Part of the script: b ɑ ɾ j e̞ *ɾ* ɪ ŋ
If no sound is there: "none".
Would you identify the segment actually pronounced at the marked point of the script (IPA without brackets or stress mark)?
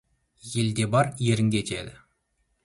ɾ